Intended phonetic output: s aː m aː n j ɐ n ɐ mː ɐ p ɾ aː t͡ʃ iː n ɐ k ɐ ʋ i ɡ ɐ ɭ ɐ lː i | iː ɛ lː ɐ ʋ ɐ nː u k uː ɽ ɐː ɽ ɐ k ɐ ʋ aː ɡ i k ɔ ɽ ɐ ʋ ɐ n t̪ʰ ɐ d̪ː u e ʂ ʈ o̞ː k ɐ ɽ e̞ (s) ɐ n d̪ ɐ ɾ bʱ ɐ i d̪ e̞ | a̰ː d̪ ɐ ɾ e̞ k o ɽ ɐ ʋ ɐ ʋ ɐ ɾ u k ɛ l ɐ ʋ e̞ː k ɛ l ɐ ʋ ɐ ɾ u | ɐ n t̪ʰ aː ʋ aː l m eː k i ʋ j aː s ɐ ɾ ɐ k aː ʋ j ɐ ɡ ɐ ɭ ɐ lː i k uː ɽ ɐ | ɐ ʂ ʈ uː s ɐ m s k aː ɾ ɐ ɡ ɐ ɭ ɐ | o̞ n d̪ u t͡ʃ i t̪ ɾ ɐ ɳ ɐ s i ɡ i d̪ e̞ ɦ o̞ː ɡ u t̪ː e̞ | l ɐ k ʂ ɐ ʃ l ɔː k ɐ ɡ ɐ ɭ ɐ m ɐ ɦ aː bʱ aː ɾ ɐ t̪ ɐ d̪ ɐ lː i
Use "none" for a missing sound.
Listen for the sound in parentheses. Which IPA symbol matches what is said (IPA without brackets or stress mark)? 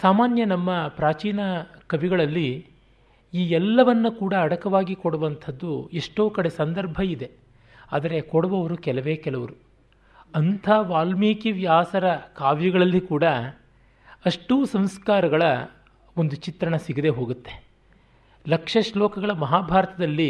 s